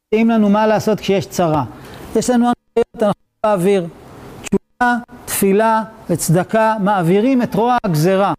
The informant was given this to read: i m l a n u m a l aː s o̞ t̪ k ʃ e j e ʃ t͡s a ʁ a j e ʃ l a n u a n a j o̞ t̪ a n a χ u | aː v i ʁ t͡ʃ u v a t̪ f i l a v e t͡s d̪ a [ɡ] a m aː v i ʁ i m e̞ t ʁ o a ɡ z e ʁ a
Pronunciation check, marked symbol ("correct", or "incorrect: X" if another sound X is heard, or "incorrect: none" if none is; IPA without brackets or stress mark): incorrect: k